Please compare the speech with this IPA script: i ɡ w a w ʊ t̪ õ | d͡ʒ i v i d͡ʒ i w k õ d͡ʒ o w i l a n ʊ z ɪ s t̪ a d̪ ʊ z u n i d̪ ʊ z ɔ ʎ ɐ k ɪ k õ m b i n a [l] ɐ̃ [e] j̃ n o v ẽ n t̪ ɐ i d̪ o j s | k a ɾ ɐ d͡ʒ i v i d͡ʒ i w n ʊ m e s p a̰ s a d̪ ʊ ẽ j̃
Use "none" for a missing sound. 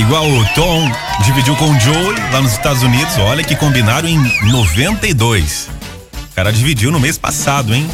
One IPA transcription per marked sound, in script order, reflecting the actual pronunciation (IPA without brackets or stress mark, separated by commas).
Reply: ɾ, ẽ